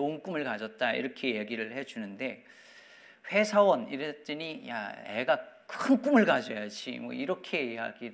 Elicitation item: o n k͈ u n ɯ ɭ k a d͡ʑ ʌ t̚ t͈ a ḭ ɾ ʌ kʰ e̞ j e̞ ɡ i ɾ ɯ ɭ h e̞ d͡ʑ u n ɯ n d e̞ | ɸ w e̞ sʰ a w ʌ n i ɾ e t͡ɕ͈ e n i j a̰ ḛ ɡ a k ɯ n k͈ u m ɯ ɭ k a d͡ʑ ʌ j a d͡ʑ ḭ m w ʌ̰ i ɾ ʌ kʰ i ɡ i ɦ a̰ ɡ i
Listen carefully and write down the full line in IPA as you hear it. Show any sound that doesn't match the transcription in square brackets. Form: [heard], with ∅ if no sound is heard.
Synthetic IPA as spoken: o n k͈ u [m] ɯ ɭ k a d͡ʑ ʌ t̚ t͈ a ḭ ɾ ʌ kʰ e̞ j e̞ ɡ i ɾ ɯ ɭ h e̞ d͡ʑ u n ɯ n d e̞ | ɸ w e̞ sʰ a w ʌ n i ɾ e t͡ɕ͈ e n i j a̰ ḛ ɡ a k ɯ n k͈ u m ɯ ɭ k a d͡ʑ ʌ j a d͡ʑ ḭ m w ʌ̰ i ɾ ʌ kʰ [e] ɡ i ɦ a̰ ɡ i